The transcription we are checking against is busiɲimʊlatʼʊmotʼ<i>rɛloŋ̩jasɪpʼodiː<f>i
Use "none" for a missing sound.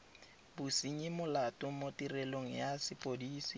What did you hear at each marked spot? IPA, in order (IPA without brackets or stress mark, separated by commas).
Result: i, s